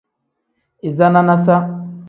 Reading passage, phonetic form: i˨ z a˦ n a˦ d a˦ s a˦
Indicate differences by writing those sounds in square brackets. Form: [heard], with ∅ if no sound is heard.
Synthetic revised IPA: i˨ z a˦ n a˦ [n] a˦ s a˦